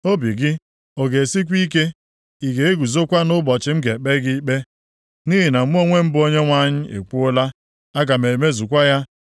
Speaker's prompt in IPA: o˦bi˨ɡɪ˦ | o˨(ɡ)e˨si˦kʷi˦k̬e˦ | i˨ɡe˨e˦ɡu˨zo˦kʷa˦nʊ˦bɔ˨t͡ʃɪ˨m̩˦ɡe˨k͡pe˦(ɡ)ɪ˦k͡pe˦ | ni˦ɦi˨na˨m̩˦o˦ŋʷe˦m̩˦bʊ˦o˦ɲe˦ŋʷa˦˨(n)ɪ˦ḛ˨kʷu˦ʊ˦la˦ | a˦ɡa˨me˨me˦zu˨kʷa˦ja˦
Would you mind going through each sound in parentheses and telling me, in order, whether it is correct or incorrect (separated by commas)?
correct, correct, incorrect